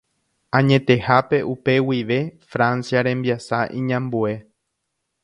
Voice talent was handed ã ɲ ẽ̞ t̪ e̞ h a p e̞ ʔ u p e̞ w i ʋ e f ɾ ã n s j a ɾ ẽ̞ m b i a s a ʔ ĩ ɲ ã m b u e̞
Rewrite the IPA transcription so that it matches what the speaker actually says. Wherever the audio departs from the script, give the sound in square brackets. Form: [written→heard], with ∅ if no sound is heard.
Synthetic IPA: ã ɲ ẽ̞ t̪ e̞ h a p e̞ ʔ u p e̞ w i ʋ e f ɾ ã n s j a ɾ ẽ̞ m b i a s a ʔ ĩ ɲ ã m b u e̞

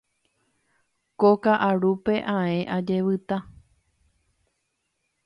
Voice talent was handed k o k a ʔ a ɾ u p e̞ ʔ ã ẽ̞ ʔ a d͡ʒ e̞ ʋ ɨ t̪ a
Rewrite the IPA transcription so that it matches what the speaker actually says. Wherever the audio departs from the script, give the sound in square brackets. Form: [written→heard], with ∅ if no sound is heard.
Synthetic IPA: k o k a ʔ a ɾ u p e̞ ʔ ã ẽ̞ ʔ a d͡ʒ e̞ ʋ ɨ t̪ a

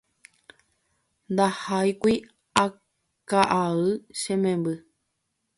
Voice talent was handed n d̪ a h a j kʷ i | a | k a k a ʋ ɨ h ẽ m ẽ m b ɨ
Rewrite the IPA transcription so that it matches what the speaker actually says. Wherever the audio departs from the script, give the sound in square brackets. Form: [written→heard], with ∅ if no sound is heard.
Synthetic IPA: n d̪ a h a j kʷ i | a | k a [k→ʔ] a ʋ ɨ [h→ʃ] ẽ m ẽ m b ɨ

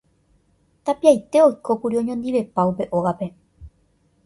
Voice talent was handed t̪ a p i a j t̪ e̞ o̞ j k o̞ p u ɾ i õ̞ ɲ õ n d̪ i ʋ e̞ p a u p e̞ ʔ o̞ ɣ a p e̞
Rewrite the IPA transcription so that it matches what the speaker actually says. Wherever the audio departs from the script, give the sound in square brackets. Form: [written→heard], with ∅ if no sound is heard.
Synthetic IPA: t̪ a p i a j t̪ e̞ o̞ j k o̞ p u ɾ i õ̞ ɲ õ n d̪ i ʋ e̞ p a u p e̞ ʔ o̞ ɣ a p e̞

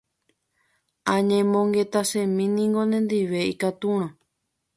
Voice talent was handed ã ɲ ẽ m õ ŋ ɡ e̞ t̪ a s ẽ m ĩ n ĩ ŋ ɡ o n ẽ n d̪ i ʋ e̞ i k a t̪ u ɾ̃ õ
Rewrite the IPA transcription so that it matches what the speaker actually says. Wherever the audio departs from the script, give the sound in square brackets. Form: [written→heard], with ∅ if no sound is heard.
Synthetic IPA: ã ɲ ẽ m õ ŋ ɡ e̞ t̪ a s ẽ m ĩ n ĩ ŋ ɡ o n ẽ n d̪ i ʋ e̞ i k a t̪ u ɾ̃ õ

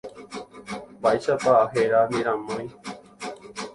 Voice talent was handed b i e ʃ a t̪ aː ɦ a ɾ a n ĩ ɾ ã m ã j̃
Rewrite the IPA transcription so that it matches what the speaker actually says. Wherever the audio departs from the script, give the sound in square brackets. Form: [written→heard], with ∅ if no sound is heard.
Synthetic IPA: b [i→a] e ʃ a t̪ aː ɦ [a→e] ɾ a n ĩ ɾ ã m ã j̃

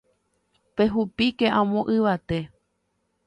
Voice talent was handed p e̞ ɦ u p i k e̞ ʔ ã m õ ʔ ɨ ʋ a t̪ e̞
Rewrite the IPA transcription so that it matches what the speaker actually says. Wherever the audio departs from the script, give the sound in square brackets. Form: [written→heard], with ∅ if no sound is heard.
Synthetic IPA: p e̞ ɦ u p i k e̞ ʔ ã m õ ʔ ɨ ʋ a t̪ e̞

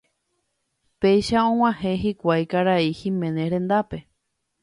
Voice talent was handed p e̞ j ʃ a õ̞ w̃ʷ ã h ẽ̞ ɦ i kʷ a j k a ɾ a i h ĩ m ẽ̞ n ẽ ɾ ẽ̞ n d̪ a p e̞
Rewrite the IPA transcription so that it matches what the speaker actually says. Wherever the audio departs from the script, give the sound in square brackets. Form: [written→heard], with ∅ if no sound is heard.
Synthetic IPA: p e̞ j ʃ a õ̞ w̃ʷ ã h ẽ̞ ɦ i kʷ a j k a ɾ a i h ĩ m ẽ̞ n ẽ ɾ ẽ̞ n d̪ a p e̞

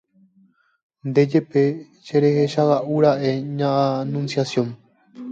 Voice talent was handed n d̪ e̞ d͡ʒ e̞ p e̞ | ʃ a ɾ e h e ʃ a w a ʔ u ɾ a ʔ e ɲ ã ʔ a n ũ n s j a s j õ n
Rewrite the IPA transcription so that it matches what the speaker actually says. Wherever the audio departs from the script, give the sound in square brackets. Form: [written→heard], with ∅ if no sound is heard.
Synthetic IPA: n d̪ e̞ d͡ʒ e̞ p e̞ | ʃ [a→e] ɾ e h e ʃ a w a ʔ u ɾ a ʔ e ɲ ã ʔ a n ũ n s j a s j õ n

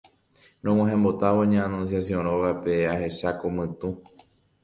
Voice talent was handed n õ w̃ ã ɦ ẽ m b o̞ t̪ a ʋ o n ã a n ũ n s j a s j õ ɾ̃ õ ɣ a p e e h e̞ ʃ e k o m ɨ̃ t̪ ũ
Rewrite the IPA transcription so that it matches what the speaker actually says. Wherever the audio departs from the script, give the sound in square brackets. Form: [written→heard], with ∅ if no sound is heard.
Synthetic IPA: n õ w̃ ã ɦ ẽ m b o̞ t̪ a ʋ o [n→ɲ] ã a n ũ n s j a s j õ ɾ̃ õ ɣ a p e [e→a] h e̞ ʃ [e→a] k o m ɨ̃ t̪ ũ

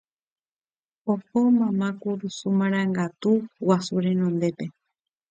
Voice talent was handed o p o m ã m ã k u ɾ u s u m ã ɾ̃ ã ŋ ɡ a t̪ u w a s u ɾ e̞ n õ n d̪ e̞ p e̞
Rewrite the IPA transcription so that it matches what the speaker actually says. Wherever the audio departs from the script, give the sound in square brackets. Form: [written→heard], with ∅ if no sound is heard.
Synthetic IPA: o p o m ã m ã k u ɾ u s u m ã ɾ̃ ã ŋ ɡ a t̪ u w a s u ɾ e̞ n õ n d̪ e̞ p e̞

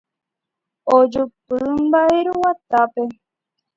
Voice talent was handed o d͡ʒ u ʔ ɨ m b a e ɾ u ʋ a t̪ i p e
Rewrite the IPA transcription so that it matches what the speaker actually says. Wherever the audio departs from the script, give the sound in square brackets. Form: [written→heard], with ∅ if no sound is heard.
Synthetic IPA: o d͡ʒ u [ʔ→p] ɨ m b a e ɾ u [ʋ→w] a t̪ [i→a] p e

